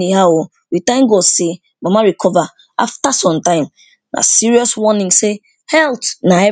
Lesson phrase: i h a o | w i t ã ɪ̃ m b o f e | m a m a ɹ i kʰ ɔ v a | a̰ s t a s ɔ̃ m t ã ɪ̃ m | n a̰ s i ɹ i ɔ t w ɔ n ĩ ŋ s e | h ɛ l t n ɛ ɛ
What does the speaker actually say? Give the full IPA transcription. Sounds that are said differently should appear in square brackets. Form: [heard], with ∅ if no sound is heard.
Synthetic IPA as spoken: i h a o | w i t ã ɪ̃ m [ɡ] o [s] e | m a m a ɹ i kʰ ɔ v a | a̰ [f] t a s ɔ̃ m t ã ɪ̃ m | n a̰ s i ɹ i ɔ [s] w ɔ n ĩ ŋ s e | h ɛ l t n [a] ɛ